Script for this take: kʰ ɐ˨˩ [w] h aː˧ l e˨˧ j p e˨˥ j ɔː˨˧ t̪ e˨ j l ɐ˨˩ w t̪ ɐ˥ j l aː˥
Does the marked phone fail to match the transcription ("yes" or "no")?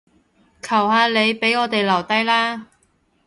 no